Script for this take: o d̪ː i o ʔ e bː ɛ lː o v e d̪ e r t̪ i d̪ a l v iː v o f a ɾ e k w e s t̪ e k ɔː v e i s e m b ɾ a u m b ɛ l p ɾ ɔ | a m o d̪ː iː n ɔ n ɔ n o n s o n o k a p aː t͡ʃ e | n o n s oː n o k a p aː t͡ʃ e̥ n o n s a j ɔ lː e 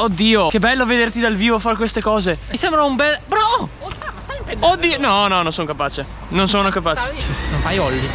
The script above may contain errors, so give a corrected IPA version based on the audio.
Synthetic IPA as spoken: o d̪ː iː o k e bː ɛ lː o v e d̪ e r t̪ i d̪ a l v iː v o f a ɾ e k w e s t̪ e k ɔː z e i s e m b ɾ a u m b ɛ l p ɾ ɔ | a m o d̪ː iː n ɔ n ɔ n o n s o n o k a p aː t͡ʃ e | n o n s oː n o k a p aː t͡ʃ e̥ n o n f a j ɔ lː i